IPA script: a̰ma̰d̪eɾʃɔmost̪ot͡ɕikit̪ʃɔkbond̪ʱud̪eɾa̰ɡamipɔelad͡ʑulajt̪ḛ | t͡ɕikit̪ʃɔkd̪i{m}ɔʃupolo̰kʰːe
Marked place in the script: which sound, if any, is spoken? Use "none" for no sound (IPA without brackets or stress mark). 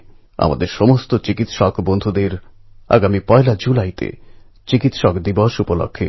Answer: b